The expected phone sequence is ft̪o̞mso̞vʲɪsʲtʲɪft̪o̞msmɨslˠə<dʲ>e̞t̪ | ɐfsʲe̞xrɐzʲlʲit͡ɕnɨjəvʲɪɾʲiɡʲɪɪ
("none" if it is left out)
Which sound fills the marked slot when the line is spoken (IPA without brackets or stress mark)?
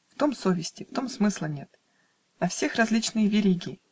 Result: nʲ